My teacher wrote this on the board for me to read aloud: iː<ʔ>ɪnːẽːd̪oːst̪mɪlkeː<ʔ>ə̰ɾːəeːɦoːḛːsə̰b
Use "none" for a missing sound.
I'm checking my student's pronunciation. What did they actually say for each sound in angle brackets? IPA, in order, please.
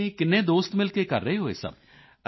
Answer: k, k

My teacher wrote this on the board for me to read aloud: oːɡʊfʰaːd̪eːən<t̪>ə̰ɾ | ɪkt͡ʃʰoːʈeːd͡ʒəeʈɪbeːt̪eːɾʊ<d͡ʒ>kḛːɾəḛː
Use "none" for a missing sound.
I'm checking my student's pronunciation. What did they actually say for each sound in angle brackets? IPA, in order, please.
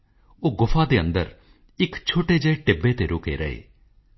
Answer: d̪, none

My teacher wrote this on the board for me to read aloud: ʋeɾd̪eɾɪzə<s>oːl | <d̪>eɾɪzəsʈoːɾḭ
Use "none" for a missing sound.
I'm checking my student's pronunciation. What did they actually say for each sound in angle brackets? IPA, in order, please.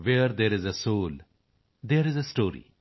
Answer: s, d̪

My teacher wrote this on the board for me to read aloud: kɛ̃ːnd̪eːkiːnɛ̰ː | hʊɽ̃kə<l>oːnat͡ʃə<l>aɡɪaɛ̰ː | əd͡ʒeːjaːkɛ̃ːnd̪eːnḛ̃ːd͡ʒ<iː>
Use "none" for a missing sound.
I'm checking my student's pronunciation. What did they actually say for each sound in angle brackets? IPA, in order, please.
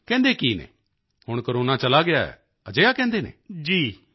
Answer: ɾ, l, iː

